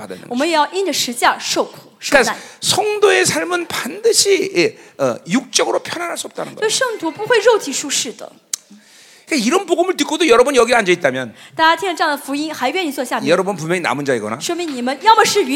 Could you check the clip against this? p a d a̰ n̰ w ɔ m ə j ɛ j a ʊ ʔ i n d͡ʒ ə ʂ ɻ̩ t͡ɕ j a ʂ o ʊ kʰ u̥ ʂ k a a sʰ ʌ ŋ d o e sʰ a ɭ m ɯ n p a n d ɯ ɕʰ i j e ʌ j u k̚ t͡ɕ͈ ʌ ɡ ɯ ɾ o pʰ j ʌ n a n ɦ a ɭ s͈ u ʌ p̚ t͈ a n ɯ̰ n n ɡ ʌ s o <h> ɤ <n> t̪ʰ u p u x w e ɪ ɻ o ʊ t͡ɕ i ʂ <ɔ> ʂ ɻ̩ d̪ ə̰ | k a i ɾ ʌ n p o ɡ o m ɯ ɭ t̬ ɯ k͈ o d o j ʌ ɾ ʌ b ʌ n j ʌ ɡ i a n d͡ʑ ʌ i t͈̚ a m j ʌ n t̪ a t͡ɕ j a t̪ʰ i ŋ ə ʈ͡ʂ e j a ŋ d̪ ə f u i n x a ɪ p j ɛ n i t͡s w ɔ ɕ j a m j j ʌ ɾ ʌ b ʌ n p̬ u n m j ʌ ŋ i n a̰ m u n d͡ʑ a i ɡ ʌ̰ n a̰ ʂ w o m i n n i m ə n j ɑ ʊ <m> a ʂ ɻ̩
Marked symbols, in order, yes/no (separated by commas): no, no, no, yes